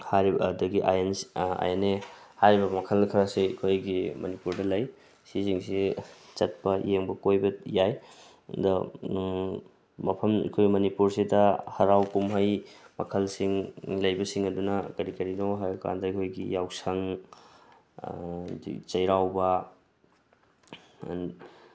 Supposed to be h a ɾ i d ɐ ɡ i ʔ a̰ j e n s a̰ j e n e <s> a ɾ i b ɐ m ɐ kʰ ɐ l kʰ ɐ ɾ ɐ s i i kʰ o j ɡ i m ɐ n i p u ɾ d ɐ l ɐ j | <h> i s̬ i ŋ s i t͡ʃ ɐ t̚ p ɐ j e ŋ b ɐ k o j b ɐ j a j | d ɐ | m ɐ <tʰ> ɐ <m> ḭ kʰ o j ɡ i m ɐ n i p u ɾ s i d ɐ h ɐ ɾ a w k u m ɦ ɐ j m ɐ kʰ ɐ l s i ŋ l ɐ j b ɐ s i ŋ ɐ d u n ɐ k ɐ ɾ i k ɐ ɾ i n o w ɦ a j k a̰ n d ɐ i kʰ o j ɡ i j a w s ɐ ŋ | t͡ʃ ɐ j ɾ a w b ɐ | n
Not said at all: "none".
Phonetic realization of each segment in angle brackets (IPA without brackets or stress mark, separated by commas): h, s, pʰ, m